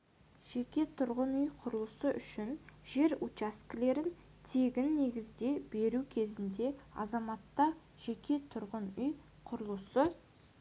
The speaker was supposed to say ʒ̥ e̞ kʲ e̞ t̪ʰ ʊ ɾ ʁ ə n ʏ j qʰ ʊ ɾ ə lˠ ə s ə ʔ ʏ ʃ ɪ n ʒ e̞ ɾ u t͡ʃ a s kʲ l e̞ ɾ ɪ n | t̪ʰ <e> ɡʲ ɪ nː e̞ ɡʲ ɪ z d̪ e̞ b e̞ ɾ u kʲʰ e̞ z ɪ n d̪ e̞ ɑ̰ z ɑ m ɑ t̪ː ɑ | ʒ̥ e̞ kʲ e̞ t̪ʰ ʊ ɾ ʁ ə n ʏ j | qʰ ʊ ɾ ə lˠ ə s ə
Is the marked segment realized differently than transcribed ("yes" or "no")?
no